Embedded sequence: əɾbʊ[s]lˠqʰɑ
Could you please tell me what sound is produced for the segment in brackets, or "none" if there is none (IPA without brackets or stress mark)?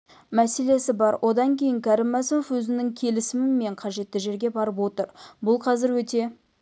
none